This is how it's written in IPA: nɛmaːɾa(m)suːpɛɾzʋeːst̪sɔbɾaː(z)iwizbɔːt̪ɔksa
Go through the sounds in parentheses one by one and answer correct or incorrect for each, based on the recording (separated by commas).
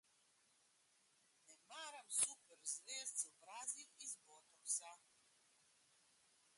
correct, correct